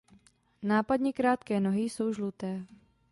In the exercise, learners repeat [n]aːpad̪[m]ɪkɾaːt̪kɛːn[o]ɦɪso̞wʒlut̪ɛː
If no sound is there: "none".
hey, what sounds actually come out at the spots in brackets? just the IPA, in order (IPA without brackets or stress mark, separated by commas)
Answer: n, ɲ, o